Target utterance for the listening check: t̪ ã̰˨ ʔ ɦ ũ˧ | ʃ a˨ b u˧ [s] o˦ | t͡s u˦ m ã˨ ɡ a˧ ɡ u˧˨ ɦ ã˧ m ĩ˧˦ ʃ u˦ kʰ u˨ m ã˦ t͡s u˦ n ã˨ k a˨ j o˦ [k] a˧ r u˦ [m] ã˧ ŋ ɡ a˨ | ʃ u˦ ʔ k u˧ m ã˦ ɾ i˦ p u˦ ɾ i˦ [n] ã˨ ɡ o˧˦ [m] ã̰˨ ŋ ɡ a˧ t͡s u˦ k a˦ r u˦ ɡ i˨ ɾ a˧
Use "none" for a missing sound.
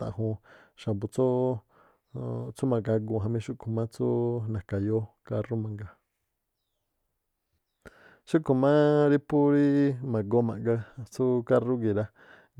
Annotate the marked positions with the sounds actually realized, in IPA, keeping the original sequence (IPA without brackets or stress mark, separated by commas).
t͡s, k, m, m, m